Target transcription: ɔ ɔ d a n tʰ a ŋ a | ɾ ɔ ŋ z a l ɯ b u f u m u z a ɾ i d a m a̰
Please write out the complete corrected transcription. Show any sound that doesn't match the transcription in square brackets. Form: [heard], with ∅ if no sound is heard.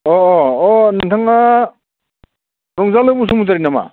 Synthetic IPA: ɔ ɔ [n] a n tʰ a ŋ a | ɾ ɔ ŋ z a l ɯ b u [s] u m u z a ɾ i [n] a m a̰